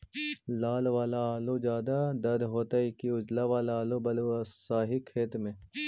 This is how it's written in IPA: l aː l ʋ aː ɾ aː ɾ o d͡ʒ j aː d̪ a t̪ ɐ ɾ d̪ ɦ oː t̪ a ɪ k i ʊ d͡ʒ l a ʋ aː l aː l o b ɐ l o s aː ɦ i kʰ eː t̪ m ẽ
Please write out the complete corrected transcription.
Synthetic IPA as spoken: l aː l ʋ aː l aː l o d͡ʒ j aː d̪ a d̪ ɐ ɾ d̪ ɦ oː t̪ a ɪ k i ʊ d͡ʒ l a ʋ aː l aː l o b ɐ l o s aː ɦ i kʰ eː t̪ m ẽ